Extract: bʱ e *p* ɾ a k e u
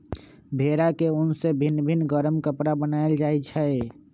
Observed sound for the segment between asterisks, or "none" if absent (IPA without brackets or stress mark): none